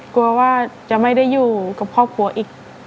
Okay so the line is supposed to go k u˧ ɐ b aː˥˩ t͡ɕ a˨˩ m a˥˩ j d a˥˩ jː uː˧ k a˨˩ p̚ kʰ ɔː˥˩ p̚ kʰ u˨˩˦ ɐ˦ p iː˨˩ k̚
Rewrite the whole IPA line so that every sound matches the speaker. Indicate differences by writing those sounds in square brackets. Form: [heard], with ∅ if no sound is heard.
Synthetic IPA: k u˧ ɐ [w] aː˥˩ t͡ɕ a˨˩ m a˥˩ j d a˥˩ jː [uː˨˩] k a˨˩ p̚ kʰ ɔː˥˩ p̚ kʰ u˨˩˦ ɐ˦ [ʔ] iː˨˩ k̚